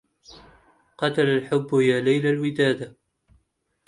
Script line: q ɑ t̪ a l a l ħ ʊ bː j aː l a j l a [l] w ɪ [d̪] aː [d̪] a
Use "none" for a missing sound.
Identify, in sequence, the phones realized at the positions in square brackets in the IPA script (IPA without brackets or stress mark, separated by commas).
l, d̪, d̪